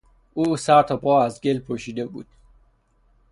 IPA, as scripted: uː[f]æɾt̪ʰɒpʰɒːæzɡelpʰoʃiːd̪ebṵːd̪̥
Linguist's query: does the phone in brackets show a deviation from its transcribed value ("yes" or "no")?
yes